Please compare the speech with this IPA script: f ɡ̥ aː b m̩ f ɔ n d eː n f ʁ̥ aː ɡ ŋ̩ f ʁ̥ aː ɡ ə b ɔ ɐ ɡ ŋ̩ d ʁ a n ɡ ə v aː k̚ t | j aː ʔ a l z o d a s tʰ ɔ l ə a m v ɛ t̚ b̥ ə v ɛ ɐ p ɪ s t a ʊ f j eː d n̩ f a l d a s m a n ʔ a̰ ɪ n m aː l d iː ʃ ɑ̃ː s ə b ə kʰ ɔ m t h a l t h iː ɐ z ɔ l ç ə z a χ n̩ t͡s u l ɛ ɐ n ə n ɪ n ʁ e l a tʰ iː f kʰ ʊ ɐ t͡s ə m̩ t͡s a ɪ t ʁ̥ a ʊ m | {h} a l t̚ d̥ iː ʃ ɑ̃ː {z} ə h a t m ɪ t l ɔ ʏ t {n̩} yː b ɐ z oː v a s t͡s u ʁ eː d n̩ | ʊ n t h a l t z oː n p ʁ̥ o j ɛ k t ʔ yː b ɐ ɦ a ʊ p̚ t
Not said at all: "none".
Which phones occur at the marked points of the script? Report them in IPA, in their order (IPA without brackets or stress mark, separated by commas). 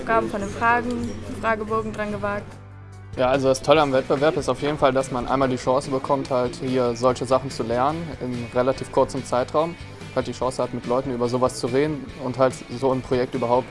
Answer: h, s, n̩